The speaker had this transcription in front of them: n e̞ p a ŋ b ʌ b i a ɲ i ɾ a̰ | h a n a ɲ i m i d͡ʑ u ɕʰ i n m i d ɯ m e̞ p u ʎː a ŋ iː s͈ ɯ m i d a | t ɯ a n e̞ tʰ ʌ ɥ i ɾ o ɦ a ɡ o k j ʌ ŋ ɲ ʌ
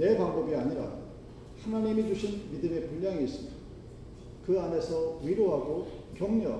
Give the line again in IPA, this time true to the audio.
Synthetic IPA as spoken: n e̞ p a ŋ b ʌ b i a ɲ i ɾ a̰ | h a n a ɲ i m i d͡ʑ u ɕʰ i n m i d ɯ m e̞ p u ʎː a ŋ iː s͈ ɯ m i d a | k ɯ a n e̞ sʰ ʌ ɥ i ɾ o ɦ a ɡ o k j ʌ ŋ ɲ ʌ